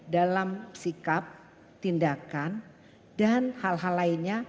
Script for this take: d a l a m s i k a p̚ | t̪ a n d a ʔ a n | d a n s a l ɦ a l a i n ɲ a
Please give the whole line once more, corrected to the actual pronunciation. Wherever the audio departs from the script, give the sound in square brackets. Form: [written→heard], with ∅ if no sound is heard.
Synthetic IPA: d a l a m s i k a p̚ | t̪ [a→i] n d a [ʔ→k] a n | d a n [s→h] a l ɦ a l a i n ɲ a